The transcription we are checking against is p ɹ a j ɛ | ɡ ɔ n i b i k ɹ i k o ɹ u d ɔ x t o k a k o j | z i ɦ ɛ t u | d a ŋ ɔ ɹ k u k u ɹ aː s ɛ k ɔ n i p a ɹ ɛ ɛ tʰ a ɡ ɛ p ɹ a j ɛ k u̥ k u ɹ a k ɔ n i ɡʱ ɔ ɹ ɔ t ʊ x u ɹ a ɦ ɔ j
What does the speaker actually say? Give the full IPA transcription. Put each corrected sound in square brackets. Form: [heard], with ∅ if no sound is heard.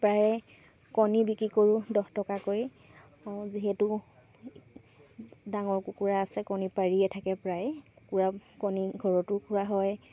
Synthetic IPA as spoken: p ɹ a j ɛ | [k] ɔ n i b i k ɹ i k o ɹ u d ɔ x t [ɔ] k a k o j | z i ɦ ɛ t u | d a ŋ ɔ ɹ k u k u ɹ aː s ɛ k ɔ n i p a ɹ [i] ɛ tʰ a [k] ɛ p ɹ a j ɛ k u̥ k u ɹ a k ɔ n i ɡʱ ɔ ɹ ɔ t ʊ [k] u ɹ a ɦ ɔ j